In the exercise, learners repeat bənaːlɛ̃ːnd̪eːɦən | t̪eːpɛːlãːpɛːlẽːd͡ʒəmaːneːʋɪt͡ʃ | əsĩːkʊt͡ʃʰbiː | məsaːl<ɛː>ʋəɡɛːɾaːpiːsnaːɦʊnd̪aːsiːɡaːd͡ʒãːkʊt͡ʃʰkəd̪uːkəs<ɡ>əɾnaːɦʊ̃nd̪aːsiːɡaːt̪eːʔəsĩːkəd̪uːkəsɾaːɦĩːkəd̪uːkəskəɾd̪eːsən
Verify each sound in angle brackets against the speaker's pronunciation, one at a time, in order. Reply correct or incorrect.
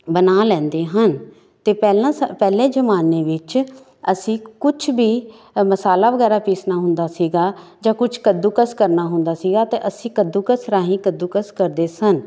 incorrect, incorrect

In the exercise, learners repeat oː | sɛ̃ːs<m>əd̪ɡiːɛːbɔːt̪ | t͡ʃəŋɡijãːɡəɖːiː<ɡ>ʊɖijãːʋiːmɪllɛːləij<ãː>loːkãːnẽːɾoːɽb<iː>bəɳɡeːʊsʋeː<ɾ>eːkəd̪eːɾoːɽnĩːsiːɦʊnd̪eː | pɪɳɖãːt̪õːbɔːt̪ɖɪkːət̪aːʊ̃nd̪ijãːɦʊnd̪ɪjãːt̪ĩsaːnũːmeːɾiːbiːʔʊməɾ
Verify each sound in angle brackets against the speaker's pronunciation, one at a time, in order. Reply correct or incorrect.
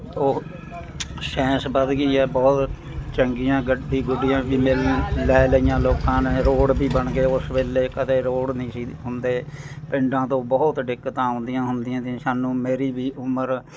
incorrect, correct, correct, correct, incorrect

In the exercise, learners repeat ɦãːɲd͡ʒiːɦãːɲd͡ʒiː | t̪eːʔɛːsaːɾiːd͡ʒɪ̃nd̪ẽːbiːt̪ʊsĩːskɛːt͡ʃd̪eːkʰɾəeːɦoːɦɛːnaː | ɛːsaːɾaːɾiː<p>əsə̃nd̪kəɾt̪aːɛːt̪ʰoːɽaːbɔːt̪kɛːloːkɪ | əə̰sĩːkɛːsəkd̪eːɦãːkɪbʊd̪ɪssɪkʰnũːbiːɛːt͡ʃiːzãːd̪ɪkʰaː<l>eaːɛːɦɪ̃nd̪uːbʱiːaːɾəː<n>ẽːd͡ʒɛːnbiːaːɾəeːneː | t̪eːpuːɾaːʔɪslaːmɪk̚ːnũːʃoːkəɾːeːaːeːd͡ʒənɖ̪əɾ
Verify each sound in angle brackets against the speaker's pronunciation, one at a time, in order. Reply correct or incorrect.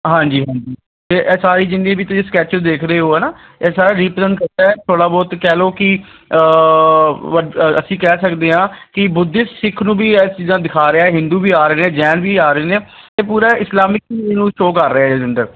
correct, incorrect, correct

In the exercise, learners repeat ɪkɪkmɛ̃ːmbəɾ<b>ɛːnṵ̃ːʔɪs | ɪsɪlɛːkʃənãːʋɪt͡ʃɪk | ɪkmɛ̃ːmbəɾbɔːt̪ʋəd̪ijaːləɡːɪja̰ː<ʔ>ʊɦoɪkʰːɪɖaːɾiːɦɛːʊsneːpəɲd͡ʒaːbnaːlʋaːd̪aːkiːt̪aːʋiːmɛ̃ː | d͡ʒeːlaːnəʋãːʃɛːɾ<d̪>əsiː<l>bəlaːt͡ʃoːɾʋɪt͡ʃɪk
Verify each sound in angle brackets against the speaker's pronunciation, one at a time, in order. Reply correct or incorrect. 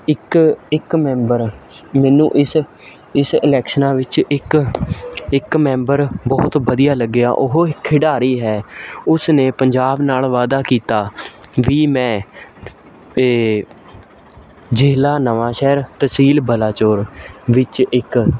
incorrect, correct, incorrect, correct

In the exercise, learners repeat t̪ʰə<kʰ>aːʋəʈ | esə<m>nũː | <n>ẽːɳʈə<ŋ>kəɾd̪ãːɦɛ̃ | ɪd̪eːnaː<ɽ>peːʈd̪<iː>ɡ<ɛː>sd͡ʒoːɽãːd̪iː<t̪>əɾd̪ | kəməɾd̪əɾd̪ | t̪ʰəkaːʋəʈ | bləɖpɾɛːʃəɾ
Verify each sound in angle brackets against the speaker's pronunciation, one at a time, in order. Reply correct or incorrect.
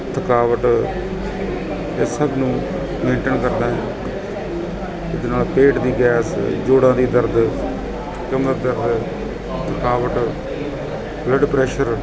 incorrect, incorrect, incorrect, incorrect, incorrect, correct, correct, incorrect

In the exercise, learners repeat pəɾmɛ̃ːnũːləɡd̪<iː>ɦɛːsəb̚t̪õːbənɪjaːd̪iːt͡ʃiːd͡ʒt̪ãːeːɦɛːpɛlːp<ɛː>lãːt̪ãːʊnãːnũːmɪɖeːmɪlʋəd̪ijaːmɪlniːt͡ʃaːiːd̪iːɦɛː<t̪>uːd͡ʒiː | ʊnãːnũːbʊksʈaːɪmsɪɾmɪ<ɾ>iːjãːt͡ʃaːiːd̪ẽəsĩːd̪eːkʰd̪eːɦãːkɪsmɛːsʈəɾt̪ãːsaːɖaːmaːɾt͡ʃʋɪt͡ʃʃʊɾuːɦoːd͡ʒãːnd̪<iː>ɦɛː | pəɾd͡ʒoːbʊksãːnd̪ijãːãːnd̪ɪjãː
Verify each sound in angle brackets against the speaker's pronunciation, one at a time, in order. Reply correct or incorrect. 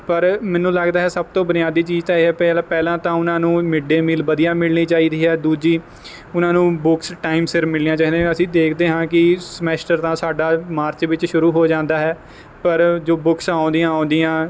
incorrect, correct, incorrect, incorrect, incorrect

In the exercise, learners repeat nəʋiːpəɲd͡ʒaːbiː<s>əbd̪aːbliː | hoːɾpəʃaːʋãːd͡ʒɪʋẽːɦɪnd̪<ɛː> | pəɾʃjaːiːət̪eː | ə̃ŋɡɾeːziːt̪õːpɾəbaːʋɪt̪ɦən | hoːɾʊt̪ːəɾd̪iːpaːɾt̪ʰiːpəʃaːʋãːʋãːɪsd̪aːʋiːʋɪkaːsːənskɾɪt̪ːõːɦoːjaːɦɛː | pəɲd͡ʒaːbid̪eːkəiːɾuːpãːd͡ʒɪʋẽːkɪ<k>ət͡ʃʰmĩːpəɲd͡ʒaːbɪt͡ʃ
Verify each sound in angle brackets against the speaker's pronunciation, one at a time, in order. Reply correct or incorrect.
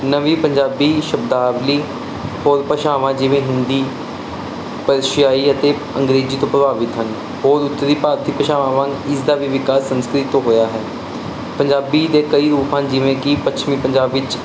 incorrect, incorrect, incorrect

